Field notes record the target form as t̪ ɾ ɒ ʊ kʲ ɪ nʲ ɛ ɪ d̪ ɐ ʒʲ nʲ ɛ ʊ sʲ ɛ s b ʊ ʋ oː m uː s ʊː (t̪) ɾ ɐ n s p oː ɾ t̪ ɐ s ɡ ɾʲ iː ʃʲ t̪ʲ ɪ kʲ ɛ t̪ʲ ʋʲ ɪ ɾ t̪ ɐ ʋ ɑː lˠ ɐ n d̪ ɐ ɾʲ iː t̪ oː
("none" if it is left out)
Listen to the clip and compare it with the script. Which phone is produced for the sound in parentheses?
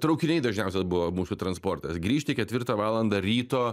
t̪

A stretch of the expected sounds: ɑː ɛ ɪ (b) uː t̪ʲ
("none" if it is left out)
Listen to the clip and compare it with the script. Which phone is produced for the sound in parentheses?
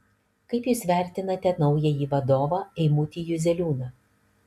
m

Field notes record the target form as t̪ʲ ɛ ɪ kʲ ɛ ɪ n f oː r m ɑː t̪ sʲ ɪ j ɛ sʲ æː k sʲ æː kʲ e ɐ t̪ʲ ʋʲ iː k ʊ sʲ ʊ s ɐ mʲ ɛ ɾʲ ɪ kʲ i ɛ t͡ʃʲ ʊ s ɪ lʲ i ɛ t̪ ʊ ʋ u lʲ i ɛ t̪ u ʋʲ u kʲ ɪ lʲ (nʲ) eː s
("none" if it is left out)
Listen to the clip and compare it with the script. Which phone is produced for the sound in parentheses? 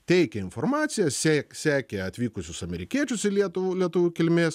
mʲ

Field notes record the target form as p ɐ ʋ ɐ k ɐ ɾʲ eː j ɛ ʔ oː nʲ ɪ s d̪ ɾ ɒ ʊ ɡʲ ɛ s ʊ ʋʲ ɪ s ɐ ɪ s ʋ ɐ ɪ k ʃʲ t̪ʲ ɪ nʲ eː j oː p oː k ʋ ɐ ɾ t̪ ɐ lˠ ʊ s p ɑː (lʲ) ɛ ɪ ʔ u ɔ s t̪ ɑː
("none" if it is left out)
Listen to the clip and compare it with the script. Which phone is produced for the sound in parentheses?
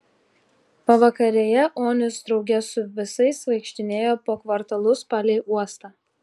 lʲ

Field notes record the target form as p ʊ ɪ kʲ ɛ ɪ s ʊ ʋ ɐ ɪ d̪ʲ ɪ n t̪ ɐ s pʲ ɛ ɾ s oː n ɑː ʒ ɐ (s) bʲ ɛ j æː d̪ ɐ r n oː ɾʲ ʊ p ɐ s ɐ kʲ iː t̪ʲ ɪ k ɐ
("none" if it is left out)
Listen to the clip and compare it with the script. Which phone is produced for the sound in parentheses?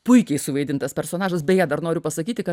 s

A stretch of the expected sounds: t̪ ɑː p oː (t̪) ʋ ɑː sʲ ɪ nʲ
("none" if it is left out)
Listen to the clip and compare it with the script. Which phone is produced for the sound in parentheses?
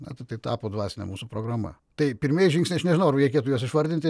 d̪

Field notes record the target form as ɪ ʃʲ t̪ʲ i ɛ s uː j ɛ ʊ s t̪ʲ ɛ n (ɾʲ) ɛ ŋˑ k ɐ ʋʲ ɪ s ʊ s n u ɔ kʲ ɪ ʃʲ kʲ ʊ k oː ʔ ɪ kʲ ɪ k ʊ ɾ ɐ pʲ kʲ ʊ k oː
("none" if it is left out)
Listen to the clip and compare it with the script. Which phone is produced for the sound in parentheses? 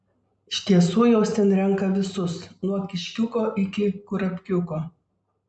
ɾʲ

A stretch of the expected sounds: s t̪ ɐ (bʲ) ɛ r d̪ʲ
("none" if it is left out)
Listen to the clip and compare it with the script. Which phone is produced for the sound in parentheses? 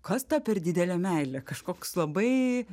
pʲ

